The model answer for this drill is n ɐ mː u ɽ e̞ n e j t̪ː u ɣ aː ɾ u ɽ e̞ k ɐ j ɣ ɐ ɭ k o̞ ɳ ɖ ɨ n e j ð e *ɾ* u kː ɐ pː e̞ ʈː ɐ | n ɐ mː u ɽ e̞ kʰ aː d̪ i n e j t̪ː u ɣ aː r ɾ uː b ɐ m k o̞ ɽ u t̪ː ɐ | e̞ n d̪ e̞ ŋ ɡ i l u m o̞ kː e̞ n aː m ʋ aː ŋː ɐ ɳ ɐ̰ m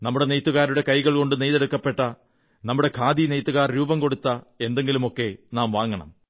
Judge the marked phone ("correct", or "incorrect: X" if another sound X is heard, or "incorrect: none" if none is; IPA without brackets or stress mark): incorrect: ɽ